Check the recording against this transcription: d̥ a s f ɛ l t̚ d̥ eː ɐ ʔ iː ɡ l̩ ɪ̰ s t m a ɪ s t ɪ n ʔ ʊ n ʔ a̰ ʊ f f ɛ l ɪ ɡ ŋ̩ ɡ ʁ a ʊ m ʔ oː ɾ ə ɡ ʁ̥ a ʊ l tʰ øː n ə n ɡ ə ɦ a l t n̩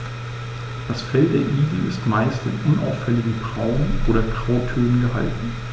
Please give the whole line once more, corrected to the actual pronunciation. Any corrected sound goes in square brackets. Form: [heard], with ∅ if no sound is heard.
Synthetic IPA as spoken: d̥ a s f ɛ l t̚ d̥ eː ɐ ʔ iː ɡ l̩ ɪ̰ s t m a ɪ s t ɪ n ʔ ʊ n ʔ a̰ ʊ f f ɛ l ɪ ɡ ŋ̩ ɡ ʁ a ʊ [n] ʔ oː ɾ [ɐ] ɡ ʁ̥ a ʊ [∅] tʰ øː n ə n ɡ ə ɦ a l t n̩

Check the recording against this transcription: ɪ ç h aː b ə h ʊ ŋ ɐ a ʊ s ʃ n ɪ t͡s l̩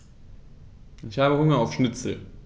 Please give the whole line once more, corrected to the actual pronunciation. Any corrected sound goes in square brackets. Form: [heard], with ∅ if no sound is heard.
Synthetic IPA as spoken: ɪ ç h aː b ə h ʊ ŋ ɐ a ʊ [f] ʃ n ɪ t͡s l̩

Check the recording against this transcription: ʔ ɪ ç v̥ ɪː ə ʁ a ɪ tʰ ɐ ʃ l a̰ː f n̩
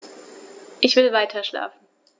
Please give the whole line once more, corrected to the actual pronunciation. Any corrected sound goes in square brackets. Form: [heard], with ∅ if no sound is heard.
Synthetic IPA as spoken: ʔ ɪ ç v̥ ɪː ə [v] a ɪ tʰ ɐ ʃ l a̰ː f n̩

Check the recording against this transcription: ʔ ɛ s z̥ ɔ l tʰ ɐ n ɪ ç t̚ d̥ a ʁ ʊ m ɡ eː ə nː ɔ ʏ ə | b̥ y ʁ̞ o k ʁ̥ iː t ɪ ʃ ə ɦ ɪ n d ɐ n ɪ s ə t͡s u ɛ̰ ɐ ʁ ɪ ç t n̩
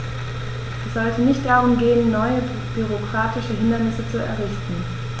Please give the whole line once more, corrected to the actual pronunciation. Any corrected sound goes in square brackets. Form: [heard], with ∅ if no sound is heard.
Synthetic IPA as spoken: ʔ ɛ s z̥ ɔ l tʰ [ə] n ɪ ç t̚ d̥ a ʁ ʊ m ɡ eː ə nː ɔ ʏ ə | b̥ y ʁ̞ o k ʁ̥ [aː] t ɪ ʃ ə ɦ ɪ n d ɐ n ɪ s ə t͡s u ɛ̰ ɐ ʁ ɪ ç t n̩

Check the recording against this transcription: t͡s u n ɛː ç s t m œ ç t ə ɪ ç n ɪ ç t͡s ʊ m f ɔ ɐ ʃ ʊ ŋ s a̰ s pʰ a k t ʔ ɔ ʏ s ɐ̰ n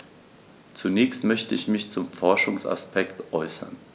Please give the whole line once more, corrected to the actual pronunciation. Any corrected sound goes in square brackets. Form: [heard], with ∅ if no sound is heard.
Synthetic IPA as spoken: t͡s u n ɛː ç s t m œ ç t ə ɪ ç [m] ɪ ç t͡s ʊ m f ɔ ɐ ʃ ʊ ŋ s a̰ s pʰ [ɛ] k t ʔ ɔ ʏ s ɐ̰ n

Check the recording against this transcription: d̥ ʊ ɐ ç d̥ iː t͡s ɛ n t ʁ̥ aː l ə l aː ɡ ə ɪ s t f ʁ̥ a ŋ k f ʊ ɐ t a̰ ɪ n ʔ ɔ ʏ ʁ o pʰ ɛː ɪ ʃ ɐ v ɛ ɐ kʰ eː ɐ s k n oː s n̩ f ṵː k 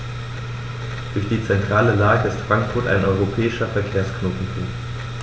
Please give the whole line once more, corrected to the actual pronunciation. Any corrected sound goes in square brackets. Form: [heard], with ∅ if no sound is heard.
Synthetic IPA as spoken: d̥ ʊ ɐ ç d̥ iː t͡s ɛ n t ʁ̥ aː l ə l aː ɡ ə ɪ s t f ʁ̥ a ŋ k f ʊ ɐ t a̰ ɪ n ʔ ɔ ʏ ʁ o pʰ ɛː ɪ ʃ ɐ [f] ɛ ɐ kʰ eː ɐ s k n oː [t] n̩ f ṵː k

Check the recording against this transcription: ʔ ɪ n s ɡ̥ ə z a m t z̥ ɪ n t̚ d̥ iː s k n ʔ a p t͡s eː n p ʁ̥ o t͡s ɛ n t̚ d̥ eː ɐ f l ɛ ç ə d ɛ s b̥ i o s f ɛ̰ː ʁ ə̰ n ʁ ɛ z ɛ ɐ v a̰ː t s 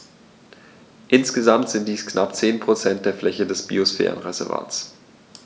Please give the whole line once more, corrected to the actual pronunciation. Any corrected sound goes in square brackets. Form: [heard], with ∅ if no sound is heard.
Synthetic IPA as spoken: ʔ ɪ n s ɡ̥ ə z a m t z̥ ɪ n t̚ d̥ iː s k n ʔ a p t͡s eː n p ʁ̥ o t͡s ɛ n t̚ d̥ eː ɐ f l ɛ ç ə d ɛ s b̥ i o s f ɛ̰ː ʁ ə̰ n ʁ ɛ z ɛ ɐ v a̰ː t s

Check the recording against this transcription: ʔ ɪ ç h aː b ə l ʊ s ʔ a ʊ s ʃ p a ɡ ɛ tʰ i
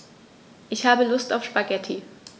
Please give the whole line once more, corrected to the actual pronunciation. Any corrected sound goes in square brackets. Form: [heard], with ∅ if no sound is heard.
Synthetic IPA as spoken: ʔ ɪ ç h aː b ə l ʊ s [t] a ʊ [f] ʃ p a ɡ ɛ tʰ i

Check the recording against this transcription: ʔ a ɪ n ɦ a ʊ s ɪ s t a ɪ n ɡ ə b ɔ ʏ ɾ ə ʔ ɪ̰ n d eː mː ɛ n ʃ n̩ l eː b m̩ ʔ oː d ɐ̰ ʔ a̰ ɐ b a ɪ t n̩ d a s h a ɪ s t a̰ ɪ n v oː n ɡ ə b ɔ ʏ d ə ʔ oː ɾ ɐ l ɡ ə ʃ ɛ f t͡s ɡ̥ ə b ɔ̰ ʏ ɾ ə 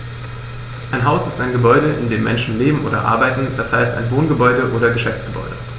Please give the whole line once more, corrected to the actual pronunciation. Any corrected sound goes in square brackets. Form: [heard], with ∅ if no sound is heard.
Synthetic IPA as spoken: ʔ a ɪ n ɦ a ʊ s ɪ s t a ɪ n ɡ ə b ɔ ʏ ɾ ə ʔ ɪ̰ n d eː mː ɛ n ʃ n̩ l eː b m̩ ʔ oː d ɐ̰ ʔ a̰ ɐ b a ɪ t n̩ d a s h a ɪ s t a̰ ɪ n v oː n ɡ ə b ɔ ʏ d ə ʔ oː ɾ ɐ [∅] ɡ ə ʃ ɛ f t͡s ɡ̥ ə b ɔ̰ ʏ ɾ ə

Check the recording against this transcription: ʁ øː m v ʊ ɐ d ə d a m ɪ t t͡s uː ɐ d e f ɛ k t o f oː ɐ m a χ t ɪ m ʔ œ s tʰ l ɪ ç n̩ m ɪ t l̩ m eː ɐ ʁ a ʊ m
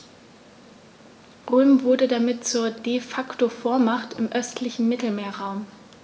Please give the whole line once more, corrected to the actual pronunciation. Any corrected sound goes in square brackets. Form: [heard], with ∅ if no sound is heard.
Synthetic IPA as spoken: ʁ øː m v ʊ ɐ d ə d a m ɪ t t͡s uː ɐ d e f [a] k t o f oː ɐ m a χ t ɪ m ʔ œ s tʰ l ɪ ç n̩ m ɪ t l̩ m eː ɐ ʁ a ʊ m

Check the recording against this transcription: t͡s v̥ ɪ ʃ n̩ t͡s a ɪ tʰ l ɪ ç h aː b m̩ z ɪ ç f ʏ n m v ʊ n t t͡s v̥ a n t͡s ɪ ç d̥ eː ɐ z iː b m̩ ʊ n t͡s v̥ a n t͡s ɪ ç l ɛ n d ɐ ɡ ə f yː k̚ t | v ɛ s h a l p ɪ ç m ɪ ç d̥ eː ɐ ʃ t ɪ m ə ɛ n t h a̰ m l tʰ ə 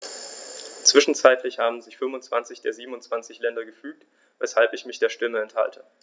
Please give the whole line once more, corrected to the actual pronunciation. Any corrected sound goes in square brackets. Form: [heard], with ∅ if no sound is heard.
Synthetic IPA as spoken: t͡s v̥ ɪ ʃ n̩ t͡s a ɪ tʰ l ɪ ç h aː b m̩ z ɪ ç f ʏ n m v ʊ n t t͡s v̥ a n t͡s ɪ ç d̥ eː ɐ z iː b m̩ ʊ n t͡s v̥ a n t͡s ɪ ç l ɛ n d ɐ ɡ ə f yː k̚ t | v ɛ s h a l p ɪ ç m ɪ ç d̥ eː ɐ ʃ t ɪ m ə ɛ n t h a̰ [∅] l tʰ ə

